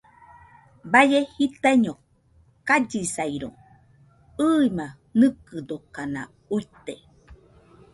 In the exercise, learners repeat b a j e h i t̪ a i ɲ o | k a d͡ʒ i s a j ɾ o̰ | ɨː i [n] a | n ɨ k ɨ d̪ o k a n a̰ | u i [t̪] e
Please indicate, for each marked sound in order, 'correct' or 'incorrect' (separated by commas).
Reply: incorrect, correct